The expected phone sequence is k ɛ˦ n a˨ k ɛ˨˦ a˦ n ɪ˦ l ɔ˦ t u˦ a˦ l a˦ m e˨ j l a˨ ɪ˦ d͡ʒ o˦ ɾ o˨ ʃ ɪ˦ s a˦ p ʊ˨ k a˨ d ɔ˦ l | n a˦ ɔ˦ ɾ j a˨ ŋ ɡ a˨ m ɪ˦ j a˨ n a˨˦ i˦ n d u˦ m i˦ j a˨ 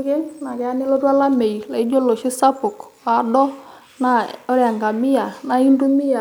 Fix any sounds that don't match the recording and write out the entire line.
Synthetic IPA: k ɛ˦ n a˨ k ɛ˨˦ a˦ n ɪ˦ l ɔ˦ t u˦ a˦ l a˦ m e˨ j l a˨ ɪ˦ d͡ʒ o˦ l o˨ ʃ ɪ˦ s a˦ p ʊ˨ k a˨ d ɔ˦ | n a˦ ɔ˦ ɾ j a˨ ŋ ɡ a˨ m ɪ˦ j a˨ n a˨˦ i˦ n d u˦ m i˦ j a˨